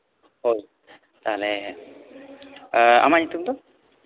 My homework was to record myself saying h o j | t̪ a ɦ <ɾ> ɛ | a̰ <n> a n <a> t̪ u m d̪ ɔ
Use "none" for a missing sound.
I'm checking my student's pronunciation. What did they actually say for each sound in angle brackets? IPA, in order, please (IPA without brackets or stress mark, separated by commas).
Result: l, m, i